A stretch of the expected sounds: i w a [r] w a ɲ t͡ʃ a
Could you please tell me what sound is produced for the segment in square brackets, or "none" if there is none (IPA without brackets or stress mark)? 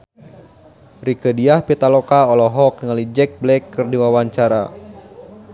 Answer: none